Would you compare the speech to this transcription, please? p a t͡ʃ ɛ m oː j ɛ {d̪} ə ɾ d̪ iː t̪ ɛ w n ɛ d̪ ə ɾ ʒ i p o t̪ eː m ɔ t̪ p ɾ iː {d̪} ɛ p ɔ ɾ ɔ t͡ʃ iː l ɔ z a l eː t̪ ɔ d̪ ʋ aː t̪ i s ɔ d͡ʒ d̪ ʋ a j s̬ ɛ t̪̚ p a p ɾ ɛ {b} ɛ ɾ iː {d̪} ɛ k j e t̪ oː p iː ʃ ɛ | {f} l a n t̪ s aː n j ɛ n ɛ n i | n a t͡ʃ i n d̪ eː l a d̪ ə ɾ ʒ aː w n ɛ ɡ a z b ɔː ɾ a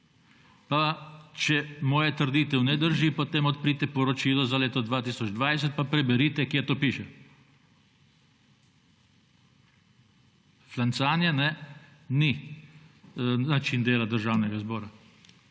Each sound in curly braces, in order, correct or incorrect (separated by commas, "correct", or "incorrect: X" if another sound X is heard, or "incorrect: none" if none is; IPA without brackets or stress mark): incorrect: t̪, incorrect: t̪, correct, incorrect: t̪, correct